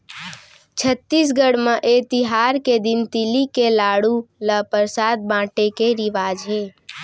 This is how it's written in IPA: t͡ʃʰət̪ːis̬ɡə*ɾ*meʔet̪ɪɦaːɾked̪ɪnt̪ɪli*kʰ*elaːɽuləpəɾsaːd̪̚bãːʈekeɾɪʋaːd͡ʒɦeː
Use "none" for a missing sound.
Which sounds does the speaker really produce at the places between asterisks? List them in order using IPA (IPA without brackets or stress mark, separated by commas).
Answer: ɽ, k